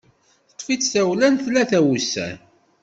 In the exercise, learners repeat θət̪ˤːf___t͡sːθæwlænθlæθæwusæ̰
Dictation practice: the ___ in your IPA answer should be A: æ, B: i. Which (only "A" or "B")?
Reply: B